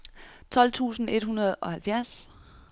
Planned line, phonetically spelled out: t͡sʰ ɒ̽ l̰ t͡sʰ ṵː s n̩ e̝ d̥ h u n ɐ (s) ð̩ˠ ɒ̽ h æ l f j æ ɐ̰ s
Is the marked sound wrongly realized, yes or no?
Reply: yes